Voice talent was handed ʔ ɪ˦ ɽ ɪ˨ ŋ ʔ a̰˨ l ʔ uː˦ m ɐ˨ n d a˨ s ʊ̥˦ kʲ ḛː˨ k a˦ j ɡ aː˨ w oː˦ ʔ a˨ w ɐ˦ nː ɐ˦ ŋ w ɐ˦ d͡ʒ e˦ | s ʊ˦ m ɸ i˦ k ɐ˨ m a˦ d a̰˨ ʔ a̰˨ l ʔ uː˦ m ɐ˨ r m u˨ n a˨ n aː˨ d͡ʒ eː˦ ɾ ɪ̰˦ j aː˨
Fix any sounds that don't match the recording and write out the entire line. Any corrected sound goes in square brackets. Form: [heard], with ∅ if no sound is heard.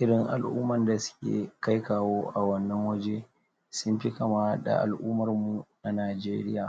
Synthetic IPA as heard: ʔ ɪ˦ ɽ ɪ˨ ŋ ʔ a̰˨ l ʔ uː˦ m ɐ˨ n d a˨ s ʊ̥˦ kʲ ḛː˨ k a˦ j [k] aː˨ w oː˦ ʔ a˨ w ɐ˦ nː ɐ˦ ŋ w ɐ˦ d͡ʒ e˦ | s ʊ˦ m ɸ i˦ k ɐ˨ m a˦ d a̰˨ ʔ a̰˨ l ʔ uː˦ m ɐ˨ r m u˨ n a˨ n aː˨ d͡ʒ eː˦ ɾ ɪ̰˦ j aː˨